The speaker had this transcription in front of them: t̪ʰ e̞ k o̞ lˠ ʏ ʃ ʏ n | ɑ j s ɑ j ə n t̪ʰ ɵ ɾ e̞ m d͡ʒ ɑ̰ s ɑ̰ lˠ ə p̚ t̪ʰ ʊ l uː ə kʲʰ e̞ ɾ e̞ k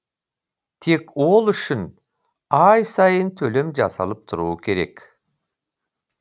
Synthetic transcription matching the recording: t̪ʰ e̞ k o̞ lˠ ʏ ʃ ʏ n | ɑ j s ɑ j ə n t̪ʰ ɵ l e̞ m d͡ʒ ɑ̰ s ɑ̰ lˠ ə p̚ t̪ʰ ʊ ɾ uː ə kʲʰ e̞ ɾ e̞ k